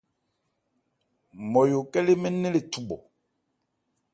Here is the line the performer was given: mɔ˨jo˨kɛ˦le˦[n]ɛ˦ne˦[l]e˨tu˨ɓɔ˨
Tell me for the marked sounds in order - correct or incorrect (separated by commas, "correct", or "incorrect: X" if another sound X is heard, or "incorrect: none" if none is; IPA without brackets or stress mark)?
incorrect: m, correct